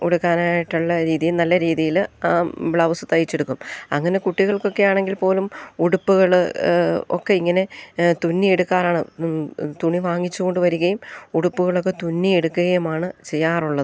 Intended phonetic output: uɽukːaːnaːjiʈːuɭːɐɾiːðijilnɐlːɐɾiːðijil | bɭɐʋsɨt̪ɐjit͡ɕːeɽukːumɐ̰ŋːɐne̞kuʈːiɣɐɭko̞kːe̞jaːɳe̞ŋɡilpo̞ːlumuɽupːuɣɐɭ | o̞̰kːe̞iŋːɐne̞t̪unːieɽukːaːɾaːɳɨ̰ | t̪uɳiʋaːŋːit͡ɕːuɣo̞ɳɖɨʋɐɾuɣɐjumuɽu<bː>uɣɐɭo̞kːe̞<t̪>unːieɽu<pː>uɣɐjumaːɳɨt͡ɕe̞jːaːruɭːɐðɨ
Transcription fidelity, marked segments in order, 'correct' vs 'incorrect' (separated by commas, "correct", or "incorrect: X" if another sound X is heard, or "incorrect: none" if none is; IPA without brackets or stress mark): incorrect: pː, correct, incorrect: kː